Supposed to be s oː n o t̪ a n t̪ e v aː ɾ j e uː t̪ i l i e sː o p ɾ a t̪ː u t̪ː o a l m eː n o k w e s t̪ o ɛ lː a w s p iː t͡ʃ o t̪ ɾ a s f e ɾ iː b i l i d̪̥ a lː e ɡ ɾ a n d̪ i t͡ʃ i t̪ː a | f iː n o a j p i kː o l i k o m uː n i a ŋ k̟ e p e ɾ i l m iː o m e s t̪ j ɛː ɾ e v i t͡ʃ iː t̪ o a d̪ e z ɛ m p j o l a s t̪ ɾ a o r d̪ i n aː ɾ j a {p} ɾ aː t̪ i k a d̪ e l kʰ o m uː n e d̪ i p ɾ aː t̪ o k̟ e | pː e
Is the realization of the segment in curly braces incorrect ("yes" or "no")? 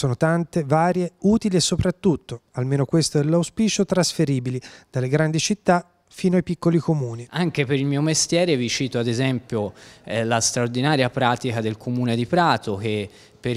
no